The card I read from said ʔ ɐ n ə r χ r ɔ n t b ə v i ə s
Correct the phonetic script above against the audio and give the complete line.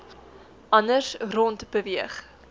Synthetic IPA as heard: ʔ ɐ n ə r s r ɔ n t b ə v i ə χ